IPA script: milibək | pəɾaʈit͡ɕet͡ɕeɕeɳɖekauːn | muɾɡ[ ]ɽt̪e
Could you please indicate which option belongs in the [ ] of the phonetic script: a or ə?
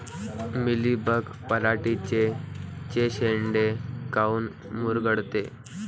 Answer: ə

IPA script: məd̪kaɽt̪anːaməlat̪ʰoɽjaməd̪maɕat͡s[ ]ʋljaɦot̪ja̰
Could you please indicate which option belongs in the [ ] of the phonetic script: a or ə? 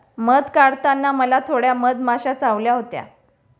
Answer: a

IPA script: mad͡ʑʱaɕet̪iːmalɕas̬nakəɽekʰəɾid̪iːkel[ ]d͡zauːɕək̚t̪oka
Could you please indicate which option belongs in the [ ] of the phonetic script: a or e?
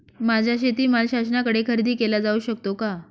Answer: a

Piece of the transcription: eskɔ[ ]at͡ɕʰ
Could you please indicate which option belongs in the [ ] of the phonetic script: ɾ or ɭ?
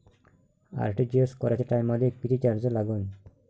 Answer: ɾ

